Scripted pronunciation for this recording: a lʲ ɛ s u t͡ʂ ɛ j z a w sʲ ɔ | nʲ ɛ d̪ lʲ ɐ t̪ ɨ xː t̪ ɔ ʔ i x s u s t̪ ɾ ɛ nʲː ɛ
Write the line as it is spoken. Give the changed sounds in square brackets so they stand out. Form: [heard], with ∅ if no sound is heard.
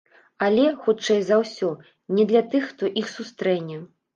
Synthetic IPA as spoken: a lʲ ɛ [x] u t͡ʂ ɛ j z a w sʲ ɔ | nʲ ɛ d̪ lʲ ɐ t̪ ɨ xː t̪ ɔ ʔ i x s u s t̪ ɾ ɛ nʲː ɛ